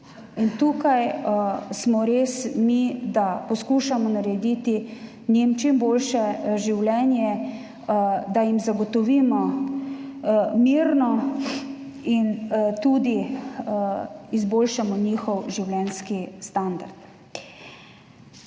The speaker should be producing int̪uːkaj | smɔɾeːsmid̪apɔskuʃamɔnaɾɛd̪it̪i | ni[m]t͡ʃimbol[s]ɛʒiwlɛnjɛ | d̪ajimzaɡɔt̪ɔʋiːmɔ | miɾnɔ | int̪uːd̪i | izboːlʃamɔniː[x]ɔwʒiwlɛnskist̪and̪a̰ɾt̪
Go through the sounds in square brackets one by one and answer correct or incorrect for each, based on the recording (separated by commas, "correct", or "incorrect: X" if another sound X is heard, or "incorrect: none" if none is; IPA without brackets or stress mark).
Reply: correct, incorrect: ʃ, correct